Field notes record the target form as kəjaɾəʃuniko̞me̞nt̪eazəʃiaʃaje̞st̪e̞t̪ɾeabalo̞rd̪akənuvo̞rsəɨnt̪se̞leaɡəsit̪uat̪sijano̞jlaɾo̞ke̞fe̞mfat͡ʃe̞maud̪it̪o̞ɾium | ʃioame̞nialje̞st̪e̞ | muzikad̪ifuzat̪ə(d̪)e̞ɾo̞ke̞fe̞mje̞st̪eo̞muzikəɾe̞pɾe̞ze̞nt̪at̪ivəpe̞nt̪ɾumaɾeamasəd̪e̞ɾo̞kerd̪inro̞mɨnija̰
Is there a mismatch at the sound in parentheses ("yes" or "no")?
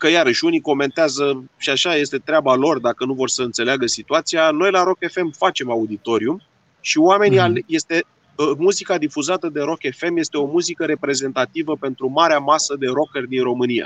no